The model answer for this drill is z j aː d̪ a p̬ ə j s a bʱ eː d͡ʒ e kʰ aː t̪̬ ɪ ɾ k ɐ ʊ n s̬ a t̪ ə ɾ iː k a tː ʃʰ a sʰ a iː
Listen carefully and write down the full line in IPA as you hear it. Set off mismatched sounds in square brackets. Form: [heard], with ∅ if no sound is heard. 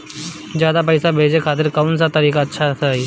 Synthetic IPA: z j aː d̪ a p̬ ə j s a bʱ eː d͡ʒ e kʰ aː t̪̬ ɪ ɾ k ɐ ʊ n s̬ a t̪ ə ɾ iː k a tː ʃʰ a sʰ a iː